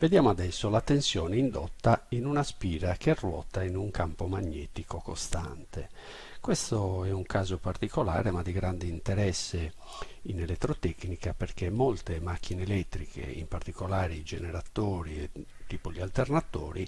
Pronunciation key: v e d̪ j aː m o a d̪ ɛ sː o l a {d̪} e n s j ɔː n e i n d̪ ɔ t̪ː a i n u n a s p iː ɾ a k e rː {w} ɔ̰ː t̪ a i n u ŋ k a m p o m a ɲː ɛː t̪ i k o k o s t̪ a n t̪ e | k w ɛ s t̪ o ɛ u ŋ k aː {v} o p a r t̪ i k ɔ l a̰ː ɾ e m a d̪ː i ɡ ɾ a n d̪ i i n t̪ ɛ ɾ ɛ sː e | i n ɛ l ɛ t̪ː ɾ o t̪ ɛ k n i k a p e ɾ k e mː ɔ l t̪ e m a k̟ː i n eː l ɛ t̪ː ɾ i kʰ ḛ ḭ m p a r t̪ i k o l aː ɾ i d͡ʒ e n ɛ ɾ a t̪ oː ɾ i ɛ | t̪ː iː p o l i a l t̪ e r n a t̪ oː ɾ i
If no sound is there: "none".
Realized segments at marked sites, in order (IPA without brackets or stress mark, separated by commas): t̪, w, z